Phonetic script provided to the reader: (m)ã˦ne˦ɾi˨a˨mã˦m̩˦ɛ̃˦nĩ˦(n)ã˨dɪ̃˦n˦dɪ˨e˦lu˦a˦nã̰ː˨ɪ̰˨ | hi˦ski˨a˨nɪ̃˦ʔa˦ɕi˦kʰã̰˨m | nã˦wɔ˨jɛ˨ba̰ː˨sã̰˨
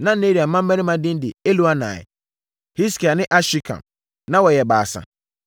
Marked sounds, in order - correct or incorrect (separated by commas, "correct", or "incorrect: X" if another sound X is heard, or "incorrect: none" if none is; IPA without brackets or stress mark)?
incorrect: n, incorrect: m